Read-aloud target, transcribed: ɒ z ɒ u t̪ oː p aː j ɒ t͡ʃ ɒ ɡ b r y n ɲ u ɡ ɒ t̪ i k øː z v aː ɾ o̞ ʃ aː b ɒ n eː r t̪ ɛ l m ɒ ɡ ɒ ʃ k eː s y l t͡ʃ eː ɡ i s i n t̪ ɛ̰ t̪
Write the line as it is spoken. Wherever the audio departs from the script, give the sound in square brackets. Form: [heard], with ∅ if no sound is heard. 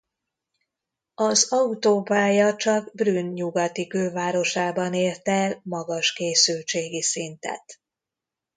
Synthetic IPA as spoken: ɒ z ɒ u t̪ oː p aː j ɒ t͡ʃ ɒ ɡ b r y n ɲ u ɡ ɒ t̪ i k øː [∅] v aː ɾ o̞ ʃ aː b ɒ n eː r t̪ ɛ l m ɒ ɡ ɒ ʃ k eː s y l t͡ʃ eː ɡ i s i n t̪ ɛ̰ t̪

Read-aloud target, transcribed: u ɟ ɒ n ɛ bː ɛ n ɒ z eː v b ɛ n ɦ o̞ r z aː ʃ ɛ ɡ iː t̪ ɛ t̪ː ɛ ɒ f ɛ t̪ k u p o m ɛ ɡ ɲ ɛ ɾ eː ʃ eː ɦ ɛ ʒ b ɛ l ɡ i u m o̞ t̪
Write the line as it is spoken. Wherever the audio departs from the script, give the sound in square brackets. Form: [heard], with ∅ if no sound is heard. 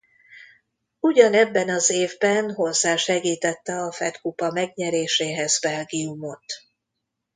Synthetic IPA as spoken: u ɟ ɒ n ɛ bː ɛ n ɒ z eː v b ɛ n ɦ o̞ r z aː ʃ ɛ ɡ iː t̪ ɛ t̪ː ɛ ɒ f ɛ t̪ k u p [ɒ] m ɛ ɡ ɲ ɛ ɾ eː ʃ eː ɦ ɛ [z] b ɛ l ɡ i u m o̞ t̪

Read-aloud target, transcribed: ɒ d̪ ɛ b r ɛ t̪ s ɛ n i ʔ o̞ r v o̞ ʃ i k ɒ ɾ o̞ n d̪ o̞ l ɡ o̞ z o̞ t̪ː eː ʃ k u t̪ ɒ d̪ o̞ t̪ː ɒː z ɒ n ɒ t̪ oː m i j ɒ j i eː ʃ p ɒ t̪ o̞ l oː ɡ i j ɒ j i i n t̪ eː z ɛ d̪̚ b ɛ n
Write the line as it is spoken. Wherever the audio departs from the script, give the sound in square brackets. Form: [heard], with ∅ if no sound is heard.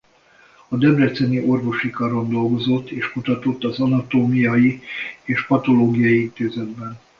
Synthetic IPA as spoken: ɒ d̪ ɛ b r ɛ t̪ s ɛ n i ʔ o̞ r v o̞ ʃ i k ɒ ɾ o̞ n d̪ o̞ l ɡ o̞ z o̞ t̪ː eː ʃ k u t̪ ɒ [t̪] o̞ t̪ː [ɒ] z ɒ n ɒ t̪ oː m i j ɒ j i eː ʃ p ɒ t̪ o̞ l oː ɡ i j ɒ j i i n t̪ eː z ɛ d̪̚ b ɛ n

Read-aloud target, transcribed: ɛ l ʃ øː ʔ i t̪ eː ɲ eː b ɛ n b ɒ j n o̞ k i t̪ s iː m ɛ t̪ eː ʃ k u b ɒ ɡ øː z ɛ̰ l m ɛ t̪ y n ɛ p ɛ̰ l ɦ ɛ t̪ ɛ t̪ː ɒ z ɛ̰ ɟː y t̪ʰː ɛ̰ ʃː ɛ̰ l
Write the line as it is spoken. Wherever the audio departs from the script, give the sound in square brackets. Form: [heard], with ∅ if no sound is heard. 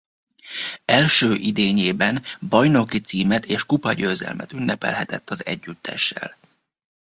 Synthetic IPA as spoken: ɛ l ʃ øː ʔ i [d̪] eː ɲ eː b ɛ n b ɒ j n o̞ k i t̪ s iː m ɛ t̪ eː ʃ k u [p] ɒ [ɟ] øː z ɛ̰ l m ɛ t̪ y [nː] ɛ p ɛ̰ l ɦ ɛ t̪ ɛ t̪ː ɒ z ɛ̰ ɟː y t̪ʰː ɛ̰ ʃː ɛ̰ l

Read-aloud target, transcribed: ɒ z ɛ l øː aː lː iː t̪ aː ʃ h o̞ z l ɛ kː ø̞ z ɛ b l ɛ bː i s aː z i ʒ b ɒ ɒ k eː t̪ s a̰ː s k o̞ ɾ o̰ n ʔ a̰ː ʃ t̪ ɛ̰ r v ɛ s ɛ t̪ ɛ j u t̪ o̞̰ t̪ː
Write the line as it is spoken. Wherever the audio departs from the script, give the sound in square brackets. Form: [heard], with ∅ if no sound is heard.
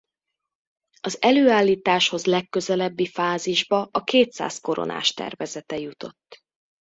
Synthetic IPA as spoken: ɒ z ɛ l øː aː lː iː t̪ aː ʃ h o̞ z l ɛ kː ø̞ z ɛ [∅] l ɛ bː i [f] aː z i ʒ b ɒ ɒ k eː t̪ s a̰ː s k o̞ ɾ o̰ n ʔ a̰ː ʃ t̪ ɛ̰ r v ɛ [z] ɛ t̪ ɛ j u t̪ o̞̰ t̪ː

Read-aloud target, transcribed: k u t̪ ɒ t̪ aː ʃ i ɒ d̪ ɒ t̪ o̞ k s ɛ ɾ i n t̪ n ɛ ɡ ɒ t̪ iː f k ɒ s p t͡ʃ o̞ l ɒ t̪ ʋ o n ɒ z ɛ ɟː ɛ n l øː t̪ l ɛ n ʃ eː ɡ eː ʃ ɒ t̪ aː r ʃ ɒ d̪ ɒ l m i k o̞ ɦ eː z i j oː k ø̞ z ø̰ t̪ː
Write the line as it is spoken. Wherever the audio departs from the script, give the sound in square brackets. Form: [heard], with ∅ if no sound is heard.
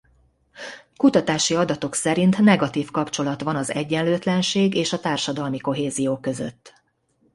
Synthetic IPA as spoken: k u t̪ ɒ t̪ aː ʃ i ɒ d̪ ɒ t̪ o̞ k s ɛ ɾ i n t̪ n ɛ ɡ ɒ t̪ iː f k ɒ [∅] p t͡ʃ o̞ l ɒ t̪ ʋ [ɒ] n ɒ z ɛ ɟː ɛ n l øː t̪ l ɛ n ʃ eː ɡ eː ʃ ɒ t̪ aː r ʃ ɒ d̪ ɒ l m i k o̞ ɦ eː z i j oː k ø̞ z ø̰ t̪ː

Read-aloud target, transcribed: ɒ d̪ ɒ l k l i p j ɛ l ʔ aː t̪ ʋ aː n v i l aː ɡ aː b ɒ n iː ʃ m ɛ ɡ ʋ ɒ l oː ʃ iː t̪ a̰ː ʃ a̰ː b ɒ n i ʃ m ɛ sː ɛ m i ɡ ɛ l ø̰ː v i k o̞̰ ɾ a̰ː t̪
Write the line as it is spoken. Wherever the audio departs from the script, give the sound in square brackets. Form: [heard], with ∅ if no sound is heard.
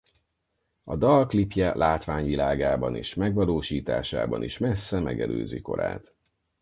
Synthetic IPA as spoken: ɒ d̪ ɒ l k l i p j ɛ l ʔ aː t̪ ʋ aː [ɲ] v i l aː ɡ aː b ɒ n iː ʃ m ɛ ɡ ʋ ɒ l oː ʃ iː t̪ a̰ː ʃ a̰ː b ɒ n i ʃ m ɛ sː ɛ m [ɛ] ɡ ɛ l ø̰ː [z] i k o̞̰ ɾ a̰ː t̪

